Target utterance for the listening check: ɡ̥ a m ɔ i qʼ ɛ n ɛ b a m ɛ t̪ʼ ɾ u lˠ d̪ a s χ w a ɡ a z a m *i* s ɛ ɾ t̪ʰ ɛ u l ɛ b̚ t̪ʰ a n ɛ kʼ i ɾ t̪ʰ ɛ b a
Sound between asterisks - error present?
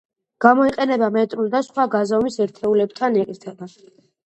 no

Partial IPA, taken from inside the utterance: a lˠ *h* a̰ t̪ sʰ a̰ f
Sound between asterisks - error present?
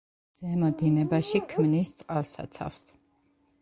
yes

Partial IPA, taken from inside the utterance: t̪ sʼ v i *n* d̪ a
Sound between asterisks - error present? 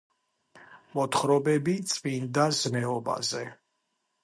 no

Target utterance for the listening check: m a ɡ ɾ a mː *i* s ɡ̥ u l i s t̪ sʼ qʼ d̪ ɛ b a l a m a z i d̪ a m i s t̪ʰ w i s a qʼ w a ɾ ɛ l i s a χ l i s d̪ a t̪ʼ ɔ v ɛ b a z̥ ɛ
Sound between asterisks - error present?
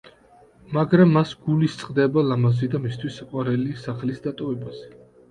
yes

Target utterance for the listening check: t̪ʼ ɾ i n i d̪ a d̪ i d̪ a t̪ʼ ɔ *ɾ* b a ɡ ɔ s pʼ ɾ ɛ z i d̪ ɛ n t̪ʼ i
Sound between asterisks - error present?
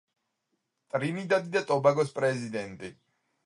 yes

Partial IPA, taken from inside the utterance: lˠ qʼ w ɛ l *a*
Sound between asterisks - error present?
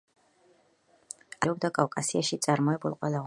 no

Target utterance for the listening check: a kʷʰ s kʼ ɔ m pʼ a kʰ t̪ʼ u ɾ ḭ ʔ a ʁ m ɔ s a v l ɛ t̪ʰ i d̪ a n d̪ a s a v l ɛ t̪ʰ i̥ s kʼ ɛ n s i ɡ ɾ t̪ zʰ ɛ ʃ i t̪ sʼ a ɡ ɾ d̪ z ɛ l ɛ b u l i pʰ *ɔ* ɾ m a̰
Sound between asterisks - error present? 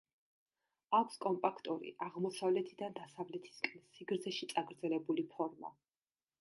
no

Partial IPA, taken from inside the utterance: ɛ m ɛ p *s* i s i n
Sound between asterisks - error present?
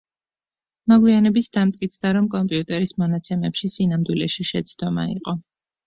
yes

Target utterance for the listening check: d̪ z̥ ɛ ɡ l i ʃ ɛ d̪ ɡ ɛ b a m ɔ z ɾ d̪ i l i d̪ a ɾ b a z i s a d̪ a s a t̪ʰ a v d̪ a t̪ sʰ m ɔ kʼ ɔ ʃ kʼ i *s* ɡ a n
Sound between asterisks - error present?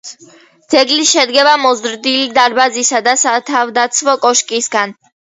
no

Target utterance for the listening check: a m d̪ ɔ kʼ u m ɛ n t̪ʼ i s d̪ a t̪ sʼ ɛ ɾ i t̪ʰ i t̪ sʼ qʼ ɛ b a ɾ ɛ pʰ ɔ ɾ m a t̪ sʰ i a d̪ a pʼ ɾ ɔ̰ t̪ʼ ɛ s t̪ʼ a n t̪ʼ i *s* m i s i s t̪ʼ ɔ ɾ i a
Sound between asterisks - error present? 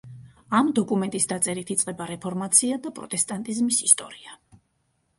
yes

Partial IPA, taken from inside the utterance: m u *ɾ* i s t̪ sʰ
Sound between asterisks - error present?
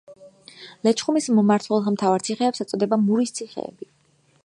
no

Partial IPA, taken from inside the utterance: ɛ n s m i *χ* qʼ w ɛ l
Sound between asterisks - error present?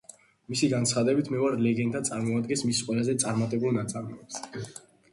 yes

